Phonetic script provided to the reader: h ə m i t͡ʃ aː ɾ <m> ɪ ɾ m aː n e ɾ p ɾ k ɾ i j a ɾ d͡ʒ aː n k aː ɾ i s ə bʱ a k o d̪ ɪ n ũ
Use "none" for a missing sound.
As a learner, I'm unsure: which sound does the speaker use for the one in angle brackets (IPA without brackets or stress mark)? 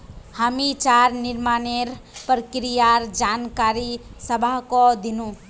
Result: n